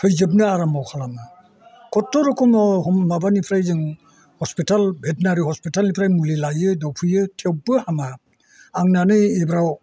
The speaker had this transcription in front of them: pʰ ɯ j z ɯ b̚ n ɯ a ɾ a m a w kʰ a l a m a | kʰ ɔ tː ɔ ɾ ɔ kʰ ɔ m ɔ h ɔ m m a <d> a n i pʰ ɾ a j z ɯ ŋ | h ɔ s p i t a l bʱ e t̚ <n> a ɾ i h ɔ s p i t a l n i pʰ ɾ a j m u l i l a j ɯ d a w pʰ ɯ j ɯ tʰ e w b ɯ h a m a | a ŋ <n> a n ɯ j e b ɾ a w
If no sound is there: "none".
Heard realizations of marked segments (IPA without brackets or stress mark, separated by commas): b, n, n